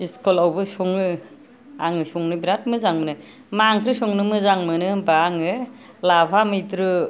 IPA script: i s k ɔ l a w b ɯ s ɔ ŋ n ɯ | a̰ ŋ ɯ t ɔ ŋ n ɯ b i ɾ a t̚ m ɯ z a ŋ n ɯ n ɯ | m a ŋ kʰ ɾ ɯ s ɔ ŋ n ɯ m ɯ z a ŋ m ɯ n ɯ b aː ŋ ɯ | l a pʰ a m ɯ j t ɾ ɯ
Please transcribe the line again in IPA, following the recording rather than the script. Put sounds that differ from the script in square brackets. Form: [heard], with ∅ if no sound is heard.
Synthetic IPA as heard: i s k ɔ l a w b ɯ s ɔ ŋ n ɯ | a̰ ŋ ɯ [s] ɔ ŋ n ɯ b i ɾ a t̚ m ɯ z a ŋ [m] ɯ n ɯ | m a ŋ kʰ ɾ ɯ s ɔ ŋ n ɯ m ɯ z a ŋ m ɯ n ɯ b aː ŋ ɯ | l a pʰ a m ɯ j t ɾ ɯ